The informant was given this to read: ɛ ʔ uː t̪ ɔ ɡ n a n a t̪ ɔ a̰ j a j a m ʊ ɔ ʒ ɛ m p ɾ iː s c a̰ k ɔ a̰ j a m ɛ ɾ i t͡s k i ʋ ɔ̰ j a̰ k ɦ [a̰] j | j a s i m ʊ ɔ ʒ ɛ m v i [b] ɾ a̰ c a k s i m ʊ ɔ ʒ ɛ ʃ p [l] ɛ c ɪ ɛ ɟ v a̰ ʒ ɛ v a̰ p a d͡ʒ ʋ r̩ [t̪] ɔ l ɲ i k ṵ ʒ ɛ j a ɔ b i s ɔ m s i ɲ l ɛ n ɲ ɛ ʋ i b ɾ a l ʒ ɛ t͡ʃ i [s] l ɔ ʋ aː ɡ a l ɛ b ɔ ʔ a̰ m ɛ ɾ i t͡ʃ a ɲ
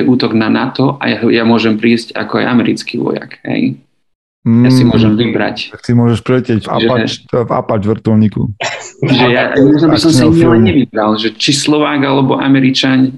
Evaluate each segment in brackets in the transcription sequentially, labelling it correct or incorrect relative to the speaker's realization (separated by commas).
incorrect, correct, incorrect, correct, correct